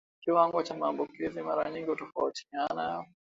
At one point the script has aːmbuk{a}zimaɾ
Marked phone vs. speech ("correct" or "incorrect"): incorrect